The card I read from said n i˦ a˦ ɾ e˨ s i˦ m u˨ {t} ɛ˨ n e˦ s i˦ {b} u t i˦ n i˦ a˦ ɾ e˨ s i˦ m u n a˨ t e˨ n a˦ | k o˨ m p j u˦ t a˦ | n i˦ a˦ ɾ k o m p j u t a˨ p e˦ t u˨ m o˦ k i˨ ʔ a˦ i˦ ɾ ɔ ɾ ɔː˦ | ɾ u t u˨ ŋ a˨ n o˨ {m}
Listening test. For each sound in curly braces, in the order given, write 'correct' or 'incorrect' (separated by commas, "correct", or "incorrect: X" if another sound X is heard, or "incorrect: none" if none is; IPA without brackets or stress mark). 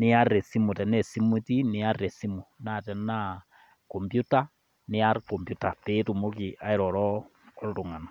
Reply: correct, incorrect: m, incorrect: none